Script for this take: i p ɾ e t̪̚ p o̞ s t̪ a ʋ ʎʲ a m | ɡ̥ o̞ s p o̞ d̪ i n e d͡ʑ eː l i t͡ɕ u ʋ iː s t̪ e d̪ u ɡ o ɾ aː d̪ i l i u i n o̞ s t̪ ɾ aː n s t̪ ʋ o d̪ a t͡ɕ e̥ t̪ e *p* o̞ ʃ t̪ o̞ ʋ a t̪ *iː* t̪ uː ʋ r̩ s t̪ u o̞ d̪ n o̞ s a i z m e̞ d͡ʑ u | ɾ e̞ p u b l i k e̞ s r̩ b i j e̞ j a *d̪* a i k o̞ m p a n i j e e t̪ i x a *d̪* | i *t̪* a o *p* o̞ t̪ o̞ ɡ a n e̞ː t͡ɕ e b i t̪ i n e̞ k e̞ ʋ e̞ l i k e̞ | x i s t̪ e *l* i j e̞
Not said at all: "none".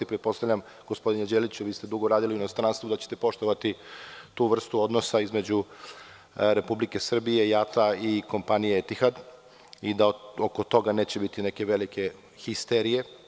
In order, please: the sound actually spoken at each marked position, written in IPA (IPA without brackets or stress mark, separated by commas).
p, i, t̪, d̪, d̪, k, ɾ